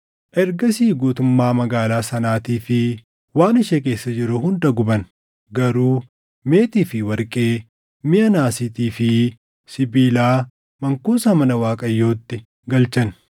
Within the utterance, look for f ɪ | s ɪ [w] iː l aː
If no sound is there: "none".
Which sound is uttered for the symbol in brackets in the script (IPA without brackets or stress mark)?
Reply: b